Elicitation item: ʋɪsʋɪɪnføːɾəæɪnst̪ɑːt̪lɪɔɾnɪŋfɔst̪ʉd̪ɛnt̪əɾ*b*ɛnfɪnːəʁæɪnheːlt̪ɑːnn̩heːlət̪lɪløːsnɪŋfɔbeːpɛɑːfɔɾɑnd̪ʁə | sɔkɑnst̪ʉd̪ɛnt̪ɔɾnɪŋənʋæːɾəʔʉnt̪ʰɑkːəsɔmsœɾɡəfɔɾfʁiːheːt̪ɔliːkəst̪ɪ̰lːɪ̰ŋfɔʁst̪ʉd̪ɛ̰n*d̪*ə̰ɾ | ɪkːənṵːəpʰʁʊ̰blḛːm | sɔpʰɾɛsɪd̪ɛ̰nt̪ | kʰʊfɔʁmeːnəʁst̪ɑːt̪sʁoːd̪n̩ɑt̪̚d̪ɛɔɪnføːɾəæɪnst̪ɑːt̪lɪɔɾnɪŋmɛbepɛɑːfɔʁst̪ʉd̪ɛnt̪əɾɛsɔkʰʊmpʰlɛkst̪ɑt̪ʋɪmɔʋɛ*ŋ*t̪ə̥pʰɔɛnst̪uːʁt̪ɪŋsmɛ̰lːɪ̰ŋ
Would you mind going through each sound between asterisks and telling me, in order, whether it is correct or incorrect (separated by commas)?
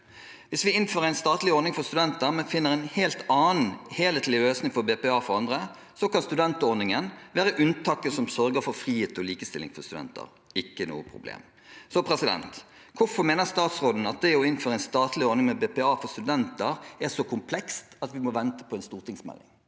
incorrect, incorrect, incorrect